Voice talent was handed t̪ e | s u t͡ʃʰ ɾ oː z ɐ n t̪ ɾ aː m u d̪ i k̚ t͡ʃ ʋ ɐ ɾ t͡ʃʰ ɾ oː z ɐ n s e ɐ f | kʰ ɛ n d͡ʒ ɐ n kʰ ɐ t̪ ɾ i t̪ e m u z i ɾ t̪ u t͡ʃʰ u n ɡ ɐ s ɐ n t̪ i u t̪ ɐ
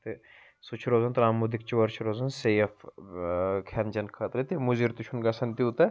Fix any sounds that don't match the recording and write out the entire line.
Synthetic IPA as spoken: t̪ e | s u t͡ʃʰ ɾ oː z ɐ n t̪ ɾ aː m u d̪ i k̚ t͡ʃ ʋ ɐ ɾ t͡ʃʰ ɾ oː z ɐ n s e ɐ f | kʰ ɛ n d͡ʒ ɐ n kʰ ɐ t̪ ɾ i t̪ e m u z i ɾ t̪ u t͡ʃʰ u n ɡ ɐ s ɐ n t̪ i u t̪ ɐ